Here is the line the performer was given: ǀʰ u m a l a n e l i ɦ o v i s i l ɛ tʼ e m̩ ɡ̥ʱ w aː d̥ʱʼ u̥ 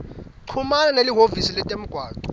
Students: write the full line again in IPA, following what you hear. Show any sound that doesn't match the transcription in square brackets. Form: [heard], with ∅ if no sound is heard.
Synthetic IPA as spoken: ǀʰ u m a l a n e l i ɦ o v i s i l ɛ tʼ e m̩ ɡ̥ʱ w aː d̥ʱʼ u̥